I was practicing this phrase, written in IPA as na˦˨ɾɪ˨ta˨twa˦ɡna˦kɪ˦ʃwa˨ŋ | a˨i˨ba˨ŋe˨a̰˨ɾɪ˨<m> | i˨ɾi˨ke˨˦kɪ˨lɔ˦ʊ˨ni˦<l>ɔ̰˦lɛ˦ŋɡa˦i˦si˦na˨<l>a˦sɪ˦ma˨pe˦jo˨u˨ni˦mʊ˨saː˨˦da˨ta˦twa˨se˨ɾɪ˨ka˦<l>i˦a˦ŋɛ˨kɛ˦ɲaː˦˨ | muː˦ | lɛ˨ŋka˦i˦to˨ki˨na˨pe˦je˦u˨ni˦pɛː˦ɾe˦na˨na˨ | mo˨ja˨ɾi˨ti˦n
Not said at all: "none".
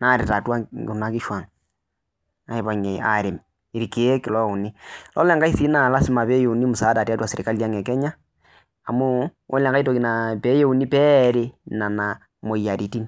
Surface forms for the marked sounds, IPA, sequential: m, l, l, l

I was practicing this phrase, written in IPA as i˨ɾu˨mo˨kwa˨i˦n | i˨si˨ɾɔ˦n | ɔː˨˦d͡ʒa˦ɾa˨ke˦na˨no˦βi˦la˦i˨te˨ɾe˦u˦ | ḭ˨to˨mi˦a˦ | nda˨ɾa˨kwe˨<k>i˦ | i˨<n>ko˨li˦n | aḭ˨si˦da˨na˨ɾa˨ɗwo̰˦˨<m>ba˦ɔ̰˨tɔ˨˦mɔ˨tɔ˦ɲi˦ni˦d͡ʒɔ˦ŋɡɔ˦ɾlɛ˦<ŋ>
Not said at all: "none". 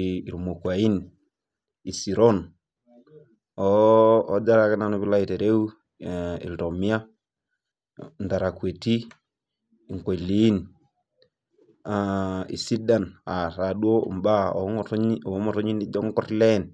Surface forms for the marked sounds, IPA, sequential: t, ŋ, m, n

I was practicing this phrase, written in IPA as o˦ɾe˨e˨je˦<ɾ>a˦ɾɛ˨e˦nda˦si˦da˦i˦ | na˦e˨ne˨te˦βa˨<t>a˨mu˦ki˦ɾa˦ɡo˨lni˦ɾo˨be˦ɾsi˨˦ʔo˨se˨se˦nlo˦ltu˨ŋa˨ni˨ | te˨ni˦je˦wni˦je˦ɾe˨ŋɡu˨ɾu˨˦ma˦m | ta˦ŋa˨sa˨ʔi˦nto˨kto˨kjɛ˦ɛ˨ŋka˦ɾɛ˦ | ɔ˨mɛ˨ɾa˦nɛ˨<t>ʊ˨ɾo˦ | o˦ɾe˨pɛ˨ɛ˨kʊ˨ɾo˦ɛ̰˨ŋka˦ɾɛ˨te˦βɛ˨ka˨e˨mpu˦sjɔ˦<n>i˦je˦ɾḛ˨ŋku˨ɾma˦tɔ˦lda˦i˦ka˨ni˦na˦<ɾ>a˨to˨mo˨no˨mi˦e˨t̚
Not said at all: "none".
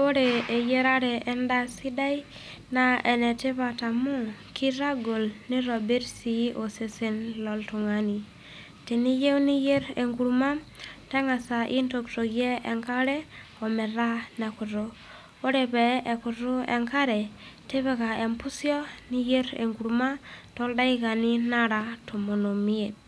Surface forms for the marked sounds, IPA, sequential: ɾ, t, k, n, ɾ

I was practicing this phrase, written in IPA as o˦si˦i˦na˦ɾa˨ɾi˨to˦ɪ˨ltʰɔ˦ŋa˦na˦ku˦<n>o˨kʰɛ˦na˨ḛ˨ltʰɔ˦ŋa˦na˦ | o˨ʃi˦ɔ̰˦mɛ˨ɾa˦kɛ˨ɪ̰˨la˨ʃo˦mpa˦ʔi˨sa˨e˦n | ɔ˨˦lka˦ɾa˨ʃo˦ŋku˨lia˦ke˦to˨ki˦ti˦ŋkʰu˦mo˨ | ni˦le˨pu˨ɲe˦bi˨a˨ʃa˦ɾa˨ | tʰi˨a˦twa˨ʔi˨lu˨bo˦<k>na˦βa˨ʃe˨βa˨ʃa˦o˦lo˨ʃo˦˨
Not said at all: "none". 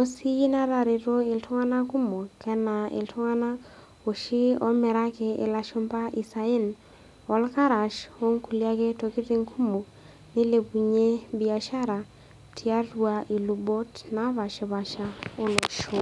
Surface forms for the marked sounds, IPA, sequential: m, t

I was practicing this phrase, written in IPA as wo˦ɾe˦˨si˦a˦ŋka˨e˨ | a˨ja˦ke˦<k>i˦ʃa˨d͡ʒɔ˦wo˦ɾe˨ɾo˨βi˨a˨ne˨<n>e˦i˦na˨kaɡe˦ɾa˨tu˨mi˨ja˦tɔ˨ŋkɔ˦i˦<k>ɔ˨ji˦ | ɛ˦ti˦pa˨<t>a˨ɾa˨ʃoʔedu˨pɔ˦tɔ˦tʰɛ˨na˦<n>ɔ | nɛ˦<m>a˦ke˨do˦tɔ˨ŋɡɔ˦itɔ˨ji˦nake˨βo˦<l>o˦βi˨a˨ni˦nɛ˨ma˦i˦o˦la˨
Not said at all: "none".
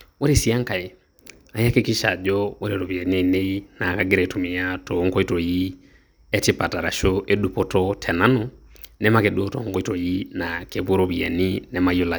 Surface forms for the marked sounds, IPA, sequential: k, n, t, t, n, m, ɾ

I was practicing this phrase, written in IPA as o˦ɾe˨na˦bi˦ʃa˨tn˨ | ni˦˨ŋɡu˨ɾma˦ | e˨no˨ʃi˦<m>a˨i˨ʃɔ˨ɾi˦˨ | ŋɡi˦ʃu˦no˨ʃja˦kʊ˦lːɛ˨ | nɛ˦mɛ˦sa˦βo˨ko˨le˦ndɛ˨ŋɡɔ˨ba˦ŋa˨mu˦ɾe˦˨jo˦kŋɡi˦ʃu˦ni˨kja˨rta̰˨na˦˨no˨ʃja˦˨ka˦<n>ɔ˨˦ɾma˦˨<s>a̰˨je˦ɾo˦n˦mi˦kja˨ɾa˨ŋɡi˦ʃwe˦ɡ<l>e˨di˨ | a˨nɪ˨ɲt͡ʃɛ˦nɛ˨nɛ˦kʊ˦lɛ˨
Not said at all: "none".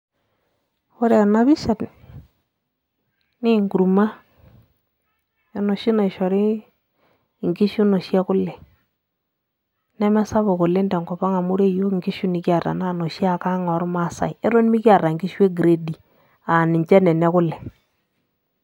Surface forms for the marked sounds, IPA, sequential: n, ŋ, s, ɾ

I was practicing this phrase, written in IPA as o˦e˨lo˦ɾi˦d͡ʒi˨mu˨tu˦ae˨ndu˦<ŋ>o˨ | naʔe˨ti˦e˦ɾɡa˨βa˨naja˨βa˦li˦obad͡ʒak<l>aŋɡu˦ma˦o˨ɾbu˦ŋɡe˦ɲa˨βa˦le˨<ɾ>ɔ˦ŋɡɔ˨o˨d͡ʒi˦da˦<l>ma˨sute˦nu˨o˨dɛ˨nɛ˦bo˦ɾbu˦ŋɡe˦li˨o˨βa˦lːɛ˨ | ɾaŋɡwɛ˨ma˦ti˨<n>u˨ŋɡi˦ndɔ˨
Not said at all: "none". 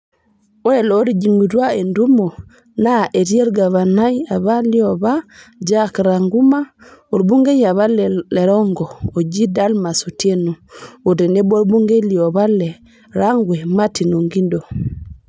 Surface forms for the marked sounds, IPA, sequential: m, ɾ, ɾ, l, n

